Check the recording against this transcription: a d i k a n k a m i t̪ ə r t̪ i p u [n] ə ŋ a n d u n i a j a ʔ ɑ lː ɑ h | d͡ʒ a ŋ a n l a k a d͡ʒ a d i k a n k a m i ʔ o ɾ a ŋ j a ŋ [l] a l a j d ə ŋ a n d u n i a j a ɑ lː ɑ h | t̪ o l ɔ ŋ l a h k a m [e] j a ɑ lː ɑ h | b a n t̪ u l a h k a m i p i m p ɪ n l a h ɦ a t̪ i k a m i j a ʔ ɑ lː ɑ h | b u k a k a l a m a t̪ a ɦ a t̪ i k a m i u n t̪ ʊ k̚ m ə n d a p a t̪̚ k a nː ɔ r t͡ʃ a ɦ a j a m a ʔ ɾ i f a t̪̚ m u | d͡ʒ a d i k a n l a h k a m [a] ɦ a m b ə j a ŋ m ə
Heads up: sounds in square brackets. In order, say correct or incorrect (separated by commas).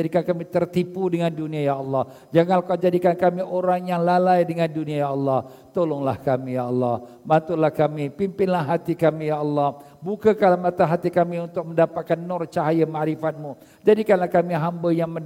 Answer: incorrect, correct, incorrect, incorrect